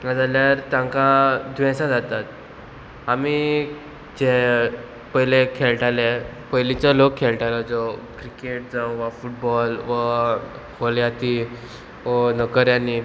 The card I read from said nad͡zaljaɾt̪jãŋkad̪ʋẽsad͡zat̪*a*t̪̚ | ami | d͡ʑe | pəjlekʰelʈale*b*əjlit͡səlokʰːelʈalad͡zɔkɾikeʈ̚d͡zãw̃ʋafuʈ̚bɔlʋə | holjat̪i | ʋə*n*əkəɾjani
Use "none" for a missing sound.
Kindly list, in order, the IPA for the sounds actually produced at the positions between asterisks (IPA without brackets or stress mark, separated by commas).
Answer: a, p, n